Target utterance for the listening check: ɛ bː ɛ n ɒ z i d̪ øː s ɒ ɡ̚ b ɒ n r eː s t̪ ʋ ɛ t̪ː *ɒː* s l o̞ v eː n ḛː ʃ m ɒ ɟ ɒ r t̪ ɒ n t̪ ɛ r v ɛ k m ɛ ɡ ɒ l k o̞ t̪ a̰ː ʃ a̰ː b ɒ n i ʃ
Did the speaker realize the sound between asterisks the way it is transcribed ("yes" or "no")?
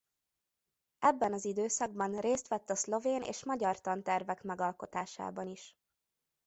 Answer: no